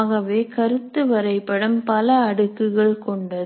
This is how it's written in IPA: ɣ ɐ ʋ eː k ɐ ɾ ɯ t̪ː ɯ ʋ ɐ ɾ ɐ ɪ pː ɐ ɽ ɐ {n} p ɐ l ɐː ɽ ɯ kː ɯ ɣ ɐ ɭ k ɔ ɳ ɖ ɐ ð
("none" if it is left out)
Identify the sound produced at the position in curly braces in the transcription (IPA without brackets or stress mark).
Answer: m